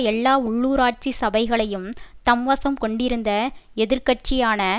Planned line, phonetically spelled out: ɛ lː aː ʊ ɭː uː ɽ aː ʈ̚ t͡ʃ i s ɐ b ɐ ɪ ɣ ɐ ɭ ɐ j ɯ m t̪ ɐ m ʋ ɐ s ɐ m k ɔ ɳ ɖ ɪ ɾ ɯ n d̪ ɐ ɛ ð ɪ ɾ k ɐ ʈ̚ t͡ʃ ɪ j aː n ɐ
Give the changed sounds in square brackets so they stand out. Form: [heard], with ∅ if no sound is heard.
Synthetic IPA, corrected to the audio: ɛ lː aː ʊ ɭː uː [ɾ] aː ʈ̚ t͡ʃ i s ɐ b ɐ ɪ ɣ ɐ ɭ ɐ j ɯ m t̪ ɐ m ʋ ɐ s ɐ m k ɔ ɳ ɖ ɪ ɾ ɯ n d̪ ɐ ɛ ð ɪ ɾ k ɐ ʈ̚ t͡ʃ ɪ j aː n ɐ